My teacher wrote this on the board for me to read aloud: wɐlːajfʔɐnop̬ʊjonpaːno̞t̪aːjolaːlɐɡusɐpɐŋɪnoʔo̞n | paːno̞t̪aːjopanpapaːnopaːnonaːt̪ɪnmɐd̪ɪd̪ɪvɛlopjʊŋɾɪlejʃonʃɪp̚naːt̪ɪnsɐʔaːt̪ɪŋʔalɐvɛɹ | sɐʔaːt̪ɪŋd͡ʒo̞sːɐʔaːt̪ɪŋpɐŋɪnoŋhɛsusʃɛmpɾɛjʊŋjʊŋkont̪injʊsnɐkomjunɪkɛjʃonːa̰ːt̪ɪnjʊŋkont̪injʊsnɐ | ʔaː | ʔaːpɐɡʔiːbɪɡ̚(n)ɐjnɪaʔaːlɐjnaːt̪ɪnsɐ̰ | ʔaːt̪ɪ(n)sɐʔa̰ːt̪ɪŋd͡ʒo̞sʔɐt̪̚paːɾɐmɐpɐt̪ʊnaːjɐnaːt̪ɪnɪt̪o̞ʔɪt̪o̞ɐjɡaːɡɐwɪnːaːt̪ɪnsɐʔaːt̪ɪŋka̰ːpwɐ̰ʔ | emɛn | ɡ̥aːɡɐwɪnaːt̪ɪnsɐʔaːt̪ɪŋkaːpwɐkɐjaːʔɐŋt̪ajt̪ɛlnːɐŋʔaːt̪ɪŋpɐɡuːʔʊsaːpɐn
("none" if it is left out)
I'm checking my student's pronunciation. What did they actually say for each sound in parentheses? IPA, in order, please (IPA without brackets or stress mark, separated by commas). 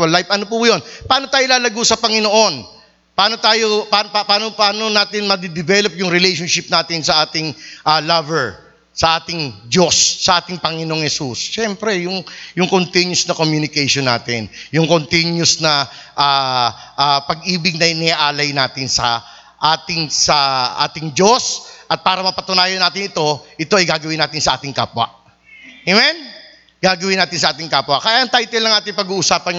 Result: n, ŋ